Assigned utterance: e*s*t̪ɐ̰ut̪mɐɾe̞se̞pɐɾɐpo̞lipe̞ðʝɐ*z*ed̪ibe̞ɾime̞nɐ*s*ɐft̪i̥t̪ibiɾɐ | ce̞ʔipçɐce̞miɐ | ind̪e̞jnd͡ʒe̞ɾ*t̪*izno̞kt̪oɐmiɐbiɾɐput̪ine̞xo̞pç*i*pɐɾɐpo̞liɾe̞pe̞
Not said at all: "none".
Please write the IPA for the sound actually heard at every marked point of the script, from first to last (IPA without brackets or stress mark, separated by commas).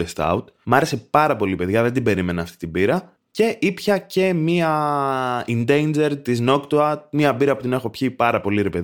s, ð, none, t̪, i